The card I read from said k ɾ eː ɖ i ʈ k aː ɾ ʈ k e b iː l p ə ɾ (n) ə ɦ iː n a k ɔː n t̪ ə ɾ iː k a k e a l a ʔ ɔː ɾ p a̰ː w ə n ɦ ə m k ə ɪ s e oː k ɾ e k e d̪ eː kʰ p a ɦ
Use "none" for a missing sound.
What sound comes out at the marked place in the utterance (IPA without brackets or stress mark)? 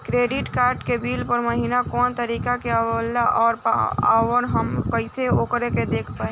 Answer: m